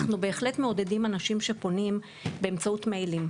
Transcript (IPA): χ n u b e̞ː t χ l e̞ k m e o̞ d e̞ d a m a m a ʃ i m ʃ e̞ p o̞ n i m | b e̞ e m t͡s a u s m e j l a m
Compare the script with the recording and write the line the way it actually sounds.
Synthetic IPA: χ n u b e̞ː χ l e̞ t m e o̞ d e̞ d i m a n a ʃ i m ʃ e̞ p o̞ n i m | b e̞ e m t͡s a u t m e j l i m